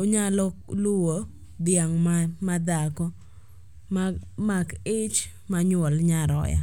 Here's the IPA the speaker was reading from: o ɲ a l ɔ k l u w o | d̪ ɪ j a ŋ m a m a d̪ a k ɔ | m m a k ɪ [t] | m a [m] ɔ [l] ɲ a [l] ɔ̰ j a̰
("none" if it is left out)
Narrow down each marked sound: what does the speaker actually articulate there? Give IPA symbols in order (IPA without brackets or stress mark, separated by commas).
t͡ʃ, ɲ, l, ɾ